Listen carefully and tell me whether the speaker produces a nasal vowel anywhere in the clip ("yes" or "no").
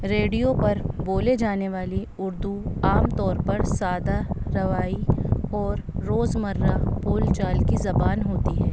no